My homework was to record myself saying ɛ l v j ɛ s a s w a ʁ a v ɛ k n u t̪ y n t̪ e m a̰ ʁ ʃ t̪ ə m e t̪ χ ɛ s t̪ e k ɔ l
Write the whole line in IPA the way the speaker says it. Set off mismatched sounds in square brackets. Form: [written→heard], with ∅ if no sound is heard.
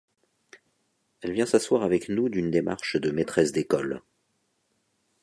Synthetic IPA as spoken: ɛ l v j [ɛ→ɛ̃] s a s w a ʁ a v ɛ k n u [t̪→d̪] y n [t̪→d̪] e m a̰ ʁ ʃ [t̪→d̪] ə m e t̪ χ ɛ s [t̪→d̪] e k ɔ l